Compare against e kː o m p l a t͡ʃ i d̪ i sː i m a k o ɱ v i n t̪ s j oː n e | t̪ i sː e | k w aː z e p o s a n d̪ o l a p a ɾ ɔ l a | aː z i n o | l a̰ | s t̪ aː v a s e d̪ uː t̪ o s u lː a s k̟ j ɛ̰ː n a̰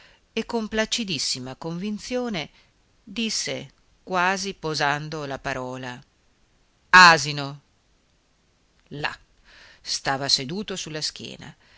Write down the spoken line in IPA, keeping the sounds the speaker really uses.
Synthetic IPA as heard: e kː o m p l a t͡ʃ i d̪ i sː i m a k o ɱ v i n t̪ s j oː n e | d̪ i sː e | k w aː z i p o z a n d̪ o l a p a ɾ ɔː l a | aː z i n o | l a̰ | s t̪ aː v a s e d̪ uː t̪ o s u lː a s k̟ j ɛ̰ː n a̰

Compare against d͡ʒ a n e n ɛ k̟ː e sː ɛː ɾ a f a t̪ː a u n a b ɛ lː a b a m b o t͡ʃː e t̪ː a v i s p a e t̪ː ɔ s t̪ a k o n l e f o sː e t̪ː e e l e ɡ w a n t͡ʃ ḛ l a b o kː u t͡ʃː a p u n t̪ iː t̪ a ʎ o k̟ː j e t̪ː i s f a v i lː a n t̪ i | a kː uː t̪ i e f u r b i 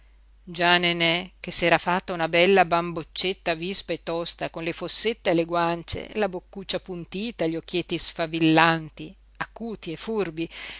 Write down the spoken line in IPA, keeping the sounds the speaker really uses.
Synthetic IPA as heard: d͡ʒ a n e n ɛ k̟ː e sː ɛː ɾ a f a t̪ː a u n a b ɛ lː a b a m b o t͡ʃː e t̪ː a v i s p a e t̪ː ɔ s t̪ a k o n l e f o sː e t̪ː e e l e ɡ w a n t͡ʃ ḛ l a b o kː u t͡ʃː a p u n t̪ iː t̪ a ʎ o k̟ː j e t̪ː i s f a v i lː a n t̪ i | a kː uː t̪ i e f u r b i

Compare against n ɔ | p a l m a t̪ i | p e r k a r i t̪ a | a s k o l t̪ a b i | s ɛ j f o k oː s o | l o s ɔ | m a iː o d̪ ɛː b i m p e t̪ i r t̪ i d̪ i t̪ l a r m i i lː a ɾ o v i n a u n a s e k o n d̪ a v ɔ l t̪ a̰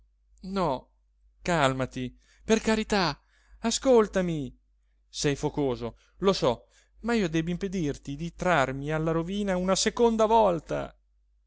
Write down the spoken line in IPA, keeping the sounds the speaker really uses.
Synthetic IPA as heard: n ɔ | k a l m a t̪ i | p e r k a ɾ i t̪ a | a s k o l t̪ a m i | s ɛ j f o k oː z o | l o s ɔ | m a iː o d̪ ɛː b i m p e d̪ i r t̪ i d̪ i t̪ ɾ a r m i a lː a ɾ o v iː n a u n a s e k o n d̪ a v ɔ l t̪ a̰

